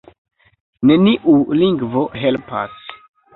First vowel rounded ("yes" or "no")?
no